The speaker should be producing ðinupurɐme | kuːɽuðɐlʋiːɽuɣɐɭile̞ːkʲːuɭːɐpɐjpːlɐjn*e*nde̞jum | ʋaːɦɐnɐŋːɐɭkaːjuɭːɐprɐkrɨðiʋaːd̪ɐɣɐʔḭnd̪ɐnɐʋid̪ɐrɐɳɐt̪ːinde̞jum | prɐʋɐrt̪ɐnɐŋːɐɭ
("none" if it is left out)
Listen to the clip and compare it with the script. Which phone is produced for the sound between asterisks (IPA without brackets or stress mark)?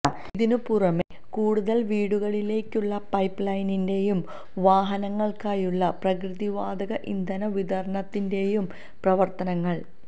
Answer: i